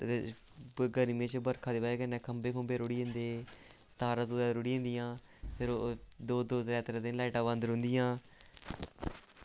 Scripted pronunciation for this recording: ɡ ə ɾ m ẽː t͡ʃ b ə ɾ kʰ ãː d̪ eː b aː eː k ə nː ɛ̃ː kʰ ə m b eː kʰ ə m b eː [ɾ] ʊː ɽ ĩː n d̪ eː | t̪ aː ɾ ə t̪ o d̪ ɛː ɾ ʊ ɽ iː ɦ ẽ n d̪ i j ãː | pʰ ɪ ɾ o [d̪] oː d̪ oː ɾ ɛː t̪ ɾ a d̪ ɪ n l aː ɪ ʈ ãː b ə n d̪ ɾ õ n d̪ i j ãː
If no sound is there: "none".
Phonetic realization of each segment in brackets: ɾ, d̪

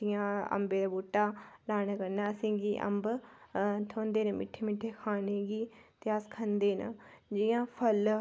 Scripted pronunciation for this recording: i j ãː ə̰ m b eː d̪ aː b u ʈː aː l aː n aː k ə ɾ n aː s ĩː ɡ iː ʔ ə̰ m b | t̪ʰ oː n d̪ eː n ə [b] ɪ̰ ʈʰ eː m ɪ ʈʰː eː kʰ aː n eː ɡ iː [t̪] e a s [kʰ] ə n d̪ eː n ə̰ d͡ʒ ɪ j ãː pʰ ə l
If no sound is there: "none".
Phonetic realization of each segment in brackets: m, t̪, kʰ

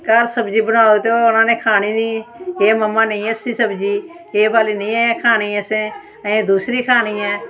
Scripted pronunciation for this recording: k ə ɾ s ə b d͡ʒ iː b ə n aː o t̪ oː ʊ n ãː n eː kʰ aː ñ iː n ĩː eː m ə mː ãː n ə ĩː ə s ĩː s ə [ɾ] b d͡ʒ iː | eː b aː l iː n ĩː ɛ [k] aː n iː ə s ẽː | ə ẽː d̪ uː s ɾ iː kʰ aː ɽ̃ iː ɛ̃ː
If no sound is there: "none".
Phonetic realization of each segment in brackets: none, kʰ

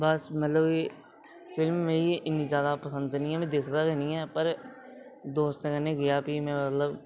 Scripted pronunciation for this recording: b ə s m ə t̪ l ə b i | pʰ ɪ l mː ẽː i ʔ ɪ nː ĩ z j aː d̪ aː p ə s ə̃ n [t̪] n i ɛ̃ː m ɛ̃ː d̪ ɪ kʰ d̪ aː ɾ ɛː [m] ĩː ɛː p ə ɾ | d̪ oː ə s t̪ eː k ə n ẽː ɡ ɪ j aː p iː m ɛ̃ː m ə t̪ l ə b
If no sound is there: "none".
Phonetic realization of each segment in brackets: d̪, n

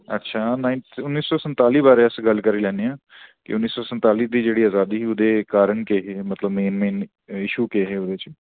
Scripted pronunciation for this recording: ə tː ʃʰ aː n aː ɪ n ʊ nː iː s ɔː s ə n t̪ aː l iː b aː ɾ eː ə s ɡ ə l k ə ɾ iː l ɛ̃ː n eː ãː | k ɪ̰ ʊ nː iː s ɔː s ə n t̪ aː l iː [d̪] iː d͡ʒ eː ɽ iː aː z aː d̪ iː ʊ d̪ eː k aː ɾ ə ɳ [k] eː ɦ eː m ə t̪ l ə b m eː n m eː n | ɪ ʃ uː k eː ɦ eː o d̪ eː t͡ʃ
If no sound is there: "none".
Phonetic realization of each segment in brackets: d̪, k

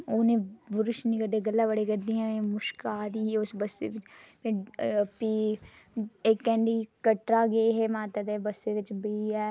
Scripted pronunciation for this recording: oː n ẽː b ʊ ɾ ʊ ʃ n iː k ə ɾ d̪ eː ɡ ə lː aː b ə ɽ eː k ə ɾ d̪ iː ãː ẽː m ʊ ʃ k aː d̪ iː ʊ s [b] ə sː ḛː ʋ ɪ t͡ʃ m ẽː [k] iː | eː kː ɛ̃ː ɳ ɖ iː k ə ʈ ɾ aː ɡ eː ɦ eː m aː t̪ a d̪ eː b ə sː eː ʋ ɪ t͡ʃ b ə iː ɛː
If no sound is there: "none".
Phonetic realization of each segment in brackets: b, p

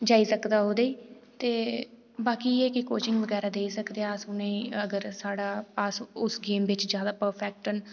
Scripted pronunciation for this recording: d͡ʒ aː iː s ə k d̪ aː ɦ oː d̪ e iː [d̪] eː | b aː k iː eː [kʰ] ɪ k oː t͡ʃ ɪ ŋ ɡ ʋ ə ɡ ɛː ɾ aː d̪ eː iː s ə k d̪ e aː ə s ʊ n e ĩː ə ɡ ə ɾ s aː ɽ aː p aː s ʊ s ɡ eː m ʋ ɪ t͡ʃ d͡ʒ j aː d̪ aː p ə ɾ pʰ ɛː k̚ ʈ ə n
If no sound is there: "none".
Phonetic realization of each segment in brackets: t̪, k

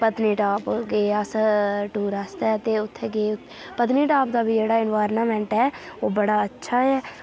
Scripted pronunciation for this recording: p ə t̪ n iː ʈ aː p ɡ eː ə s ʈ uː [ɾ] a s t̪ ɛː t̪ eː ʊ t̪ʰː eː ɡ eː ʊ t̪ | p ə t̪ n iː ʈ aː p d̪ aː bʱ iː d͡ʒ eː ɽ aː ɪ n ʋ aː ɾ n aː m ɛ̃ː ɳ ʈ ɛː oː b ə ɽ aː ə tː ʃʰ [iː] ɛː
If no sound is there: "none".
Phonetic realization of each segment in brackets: ɾ, aː

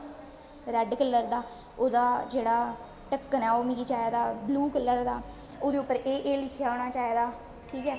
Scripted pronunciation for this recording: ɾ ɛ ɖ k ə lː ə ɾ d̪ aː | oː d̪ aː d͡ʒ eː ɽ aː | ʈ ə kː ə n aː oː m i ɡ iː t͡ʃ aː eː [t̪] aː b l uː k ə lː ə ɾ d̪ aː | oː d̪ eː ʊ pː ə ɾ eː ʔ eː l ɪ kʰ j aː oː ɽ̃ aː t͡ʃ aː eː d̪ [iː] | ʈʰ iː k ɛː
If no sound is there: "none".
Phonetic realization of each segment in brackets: d̪, aː

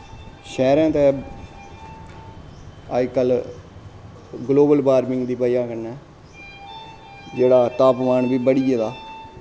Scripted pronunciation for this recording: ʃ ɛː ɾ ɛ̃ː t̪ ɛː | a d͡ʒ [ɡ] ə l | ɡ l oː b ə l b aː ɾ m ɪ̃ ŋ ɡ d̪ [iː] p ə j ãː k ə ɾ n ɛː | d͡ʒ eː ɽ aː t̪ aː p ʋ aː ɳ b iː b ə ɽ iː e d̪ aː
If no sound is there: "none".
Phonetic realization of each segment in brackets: k, iː

